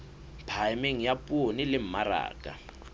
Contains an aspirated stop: yes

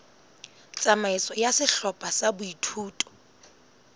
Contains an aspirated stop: yes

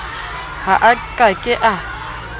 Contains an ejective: yes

